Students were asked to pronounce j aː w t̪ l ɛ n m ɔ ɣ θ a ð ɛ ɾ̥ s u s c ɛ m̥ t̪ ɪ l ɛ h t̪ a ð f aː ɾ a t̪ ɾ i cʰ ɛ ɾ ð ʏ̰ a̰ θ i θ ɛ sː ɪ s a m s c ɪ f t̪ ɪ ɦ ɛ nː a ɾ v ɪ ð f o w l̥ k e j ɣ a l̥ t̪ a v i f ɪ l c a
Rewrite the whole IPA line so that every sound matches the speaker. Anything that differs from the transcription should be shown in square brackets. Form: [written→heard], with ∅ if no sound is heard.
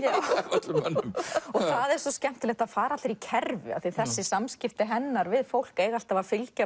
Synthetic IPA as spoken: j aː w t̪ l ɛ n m ɔ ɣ θ a ð ɛ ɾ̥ s [u→ɔ] s c ɛ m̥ t̪ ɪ l ɛ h t̪ a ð f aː ɾ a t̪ ɾ i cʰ ɛ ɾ [ð→v] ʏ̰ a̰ θ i θ ɛ sː ɪ s a m s c ɪ f t̪ ɪ ɦ ɛ nː a ɾ v ɪ ð f o w l̥ k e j ɣ a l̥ t̪ a v [i→a] f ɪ l c a